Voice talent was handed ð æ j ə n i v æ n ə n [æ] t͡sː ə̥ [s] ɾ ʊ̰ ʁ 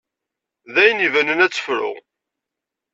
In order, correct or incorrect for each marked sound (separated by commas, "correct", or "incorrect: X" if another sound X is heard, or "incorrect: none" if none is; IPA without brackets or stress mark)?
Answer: correct, incorrect: f